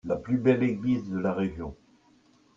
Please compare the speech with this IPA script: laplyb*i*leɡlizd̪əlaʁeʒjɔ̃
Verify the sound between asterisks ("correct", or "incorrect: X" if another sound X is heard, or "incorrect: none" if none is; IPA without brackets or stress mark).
incorrect: ɛ